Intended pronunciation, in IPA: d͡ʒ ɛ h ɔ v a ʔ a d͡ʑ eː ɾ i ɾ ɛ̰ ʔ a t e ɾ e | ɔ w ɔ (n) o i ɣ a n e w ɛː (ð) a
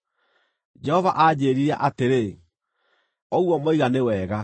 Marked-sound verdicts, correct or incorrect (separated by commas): incorrect, incorrect